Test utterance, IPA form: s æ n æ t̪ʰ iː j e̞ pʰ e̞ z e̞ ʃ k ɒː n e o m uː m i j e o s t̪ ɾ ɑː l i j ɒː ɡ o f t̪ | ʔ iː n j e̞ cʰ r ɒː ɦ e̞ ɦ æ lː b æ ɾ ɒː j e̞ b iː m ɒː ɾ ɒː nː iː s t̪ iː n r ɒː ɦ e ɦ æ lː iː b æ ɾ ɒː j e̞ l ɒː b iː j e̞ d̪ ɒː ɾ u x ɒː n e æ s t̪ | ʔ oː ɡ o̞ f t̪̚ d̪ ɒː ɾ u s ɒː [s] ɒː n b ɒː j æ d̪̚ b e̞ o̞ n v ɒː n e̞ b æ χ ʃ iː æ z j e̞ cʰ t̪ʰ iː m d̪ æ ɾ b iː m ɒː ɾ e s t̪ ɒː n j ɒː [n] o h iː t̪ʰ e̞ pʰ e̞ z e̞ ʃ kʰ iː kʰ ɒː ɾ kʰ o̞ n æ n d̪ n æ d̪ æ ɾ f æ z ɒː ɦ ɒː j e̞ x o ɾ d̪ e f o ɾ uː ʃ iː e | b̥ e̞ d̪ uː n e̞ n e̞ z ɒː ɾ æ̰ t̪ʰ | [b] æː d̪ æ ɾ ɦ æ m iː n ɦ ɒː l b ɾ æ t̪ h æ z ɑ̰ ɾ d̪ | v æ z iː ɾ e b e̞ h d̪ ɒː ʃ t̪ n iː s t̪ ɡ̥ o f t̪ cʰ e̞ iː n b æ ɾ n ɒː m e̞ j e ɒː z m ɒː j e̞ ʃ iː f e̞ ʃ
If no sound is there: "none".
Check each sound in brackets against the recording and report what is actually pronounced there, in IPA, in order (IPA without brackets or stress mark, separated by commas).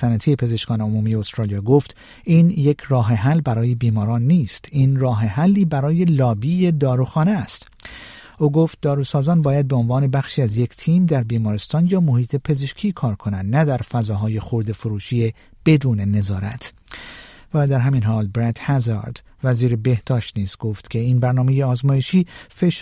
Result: z, m, v